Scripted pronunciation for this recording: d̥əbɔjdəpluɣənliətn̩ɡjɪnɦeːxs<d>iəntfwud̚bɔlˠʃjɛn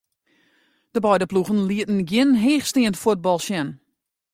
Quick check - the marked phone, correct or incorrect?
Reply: incorrect: t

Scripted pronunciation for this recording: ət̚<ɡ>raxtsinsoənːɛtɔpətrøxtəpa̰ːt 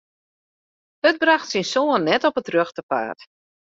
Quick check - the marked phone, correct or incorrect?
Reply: incorrect: b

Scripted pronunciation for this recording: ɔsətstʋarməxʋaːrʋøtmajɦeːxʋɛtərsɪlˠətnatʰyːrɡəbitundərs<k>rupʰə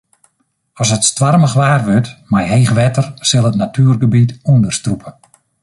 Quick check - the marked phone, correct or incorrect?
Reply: incorrect: t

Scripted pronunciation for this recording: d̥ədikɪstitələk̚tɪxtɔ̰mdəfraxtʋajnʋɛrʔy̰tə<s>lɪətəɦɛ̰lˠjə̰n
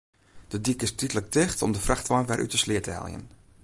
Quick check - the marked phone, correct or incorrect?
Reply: correct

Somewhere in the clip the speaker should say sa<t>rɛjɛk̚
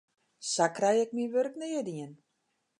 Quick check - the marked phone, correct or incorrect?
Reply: incorrect: k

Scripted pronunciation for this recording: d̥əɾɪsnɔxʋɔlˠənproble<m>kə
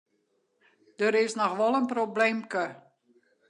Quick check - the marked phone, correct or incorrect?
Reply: correct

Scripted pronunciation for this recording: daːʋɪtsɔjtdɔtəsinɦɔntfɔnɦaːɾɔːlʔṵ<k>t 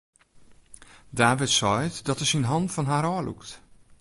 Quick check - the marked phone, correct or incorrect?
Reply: correct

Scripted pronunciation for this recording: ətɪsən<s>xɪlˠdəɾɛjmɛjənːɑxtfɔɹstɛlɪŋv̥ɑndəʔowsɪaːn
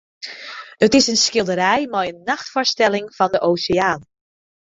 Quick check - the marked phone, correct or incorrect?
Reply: correct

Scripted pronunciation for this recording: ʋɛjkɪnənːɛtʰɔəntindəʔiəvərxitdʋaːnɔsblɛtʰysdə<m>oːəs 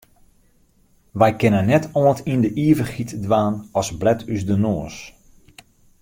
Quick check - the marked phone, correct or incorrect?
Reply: incorrect: n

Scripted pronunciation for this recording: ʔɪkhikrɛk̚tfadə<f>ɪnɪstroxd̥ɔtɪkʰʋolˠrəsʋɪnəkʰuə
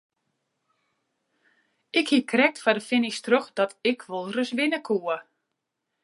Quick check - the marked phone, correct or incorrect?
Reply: correct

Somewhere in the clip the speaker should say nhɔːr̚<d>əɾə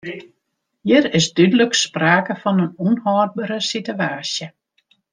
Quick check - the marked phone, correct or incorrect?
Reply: incorrect: b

